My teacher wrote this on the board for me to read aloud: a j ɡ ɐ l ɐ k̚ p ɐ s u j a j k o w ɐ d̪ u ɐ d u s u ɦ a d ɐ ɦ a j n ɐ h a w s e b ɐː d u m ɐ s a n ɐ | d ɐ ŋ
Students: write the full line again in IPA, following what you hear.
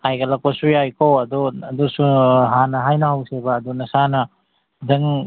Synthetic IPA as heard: a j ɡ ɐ l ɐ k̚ p ɐ s u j a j k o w ɐ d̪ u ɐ d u s u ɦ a n ɐ ɦ a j n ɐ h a w s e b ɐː d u n ɐ s a n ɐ | d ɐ ŋ